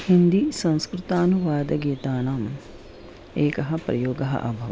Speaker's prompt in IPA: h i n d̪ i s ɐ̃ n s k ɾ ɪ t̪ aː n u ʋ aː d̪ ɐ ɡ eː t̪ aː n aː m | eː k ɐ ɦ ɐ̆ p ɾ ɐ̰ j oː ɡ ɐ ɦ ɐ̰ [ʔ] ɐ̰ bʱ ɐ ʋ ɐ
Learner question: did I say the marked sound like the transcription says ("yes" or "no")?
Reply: yes